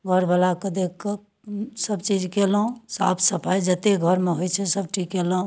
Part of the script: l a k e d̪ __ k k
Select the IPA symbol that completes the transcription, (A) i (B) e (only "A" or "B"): B